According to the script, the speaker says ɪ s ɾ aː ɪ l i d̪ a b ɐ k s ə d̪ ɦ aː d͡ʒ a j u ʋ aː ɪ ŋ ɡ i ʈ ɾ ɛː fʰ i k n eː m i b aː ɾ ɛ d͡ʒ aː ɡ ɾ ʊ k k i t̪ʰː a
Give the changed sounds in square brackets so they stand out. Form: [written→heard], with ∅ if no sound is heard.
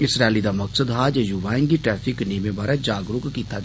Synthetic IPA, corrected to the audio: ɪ s ɾ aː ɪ l i d̪ a [b→m] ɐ k s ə d̪ ɦ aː d͡ʒ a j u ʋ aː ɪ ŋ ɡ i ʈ ɾ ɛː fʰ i k n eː m [i→e] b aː ɾ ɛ d͡ʒ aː ɡ ɾ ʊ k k i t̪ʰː a